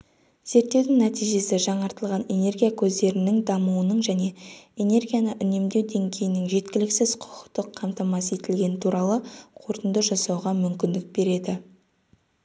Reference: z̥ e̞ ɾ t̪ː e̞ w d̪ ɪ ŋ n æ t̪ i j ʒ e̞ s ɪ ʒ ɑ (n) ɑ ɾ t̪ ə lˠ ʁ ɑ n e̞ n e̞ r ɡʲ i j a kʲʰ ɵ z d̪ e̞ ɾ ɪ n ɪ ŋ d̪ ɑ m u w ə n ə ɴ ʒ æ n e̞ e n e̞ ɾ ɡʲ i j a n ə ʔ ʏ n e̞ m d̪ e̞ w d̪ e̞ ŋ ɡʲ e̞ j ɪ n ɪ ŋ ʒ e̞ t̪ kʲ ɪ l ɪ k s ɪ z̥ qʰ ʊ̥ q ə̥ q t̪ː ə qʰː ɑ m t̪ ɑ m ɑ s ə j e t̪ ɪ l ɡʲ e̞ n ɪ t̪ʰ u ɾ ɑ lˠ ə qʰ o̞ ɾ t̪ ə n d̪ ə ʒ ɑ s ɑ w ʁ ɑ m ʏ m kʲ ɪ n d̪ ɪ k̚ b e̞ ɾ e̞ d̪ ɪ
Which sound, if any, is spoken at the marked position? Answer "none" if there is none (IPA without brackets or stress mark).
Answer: ɴ